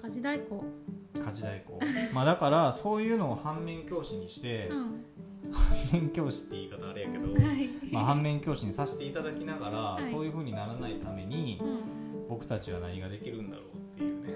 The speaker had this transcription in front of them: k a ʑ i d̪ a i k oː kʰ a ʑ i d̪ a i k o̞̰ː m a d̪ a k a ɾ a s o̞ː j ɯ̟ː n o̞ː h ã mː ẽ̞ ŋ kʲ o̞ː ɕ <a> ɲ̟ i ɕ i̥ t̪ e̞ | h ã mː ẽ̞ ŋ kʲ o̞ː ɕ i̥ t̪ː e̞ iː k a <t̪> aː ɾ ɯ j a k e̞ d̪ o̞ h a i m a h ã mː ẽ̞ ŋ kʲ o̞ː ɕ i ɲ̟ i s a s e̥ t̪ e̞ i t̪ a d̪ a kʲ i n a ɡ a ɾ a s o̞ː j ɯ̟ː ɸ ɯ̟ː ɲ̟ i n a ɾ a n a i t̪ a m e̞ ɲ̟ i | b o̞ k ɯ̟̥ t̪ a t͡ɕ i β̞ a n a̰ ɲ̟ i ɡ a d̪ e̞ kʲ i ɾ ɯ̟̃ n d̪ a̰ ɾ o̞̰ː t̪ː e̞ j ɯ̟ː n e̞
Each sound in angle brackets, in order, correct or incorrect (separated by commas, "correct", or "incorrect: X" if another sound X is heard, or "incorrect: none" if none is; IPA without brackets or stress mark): incorrect: i, correct